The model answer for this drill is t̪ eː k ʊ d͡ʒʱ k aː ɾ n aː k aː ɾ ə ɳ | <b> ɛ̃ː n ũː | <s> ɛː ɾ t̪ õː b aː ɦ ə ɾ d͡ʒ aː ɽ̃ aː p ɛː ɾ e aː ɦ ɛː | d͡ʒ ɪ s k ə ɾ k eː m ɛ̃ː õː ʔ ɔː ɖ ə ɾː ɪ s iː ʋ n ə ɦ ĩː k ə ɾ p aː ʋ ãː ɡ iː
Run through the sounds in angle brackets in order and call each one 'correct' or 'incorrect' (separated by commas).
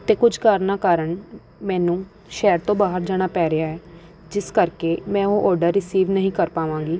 incorrect, incorrect